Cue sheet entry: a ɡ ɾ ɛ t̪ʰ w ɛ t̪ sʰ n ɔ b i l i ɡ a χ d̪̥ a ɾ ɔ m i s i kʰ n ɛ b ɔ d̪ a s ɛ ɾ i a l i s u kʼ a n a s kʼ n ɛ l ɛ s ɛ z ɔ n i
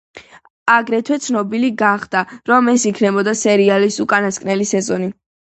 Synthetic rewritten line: a ɡ ɾ ɛ t̪ʰ w ɛ t̪ sʰ n ɔ b i l i ɡ a χ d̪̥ a ɾ ɔ m ɛ s i kʰ n ɛ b ɔ d̪ a s ɛ ɾ i a l i s u kʼ a n a s kʼ n ɛ l i s ɛ z ɔ n i